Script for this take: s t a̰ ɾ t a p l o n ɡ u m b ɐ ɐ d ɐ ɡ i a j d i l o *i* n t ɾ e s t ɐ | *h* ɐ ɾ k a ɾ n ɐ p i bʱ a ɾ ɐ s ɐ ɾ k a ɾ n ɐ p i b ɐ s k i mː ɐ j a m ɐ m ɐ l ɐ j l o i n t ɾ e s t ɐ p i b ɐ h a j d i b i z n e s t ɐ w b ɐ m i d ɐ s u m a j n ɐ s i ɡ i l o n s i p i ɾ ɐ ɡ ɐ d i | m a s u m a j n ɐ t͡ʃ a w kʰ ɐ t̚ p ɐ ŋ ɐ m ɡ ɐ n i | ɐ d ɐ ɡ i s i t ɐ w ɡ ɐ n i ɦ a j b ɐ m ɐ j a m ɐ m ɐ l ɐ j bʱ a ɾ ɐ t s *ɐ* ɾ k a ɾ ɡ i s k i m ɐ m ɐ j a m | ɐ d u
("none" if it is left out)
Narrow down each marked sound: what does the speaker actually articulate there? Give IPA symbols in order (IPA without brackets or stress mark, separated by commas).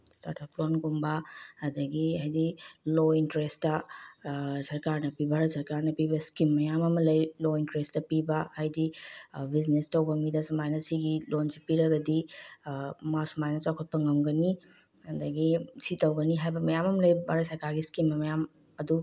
i, s, ɐ